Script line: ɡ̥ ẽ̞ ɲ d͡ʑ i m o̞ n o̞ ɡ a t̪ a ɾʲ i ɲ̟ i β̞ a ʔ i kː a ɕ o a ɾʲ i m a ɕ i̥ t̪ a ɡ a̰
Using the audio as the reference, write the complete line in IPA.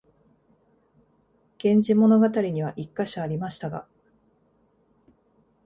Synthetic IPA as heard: ɡ̥ ẽ̞ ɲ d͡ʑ i m o̞ n o̞ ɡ a t̪ a ɾʲ i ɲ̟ i β̞ a ʔ i kː a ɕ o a ɾʲ i m a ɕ i̥ t̪ a ɡ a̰